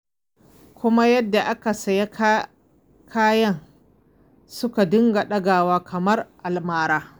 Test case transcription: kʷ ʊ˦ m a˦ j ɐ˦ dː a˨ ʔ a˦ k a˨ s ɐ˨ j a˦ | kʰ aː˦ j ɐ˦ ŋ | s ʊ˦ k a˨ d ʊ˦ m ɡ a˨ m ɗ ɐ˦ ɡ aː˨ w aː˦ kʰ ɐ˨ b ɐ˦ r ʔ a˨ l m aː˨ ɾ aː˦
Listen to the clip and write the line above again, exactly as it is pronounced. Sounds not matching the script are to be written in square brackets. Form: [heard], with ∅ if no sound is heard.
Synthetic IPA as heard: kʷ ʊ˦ m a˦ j ɐ˦ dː a˨ ʔ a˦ k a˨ s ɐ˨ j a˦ | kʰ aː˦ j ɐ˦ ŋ | s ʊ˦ k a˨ d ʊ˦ [ŋ] ɡ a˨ [∅] ɗ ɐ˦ ɡ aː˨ w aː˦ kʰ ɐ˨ [m] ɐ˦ r ʔ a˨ l m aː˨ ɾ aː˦